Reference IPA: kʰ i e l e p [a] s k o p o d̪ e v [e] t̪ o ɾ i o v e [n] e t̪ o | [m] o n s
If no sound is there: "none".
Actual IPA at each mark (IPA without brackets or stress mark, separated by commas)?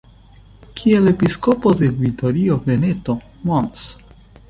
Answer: i, i, n, m